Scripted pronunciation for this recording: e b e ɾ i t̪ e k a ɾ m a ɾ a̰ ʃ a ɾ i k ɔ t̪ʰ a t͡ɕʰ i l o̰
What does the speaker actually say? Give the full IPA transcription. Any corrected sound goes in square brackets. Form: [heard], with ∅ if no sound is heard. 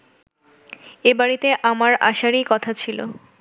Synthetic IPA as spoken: e b [a] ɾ i t̪ e [ʔ] a [∅] m a ɾ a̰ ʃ a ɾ i k ɔ t̪ʰ a t͡ɕʰ i l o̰